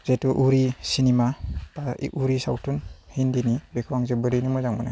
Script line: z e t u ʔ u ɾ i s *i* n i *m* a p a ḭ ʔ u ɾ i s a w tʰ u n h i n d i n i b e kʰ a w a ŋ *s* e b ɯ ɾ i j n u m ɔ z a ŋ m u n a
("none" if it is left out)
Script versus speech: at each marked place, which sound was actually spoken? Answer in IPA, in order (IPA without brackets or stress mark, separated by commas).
i, m, z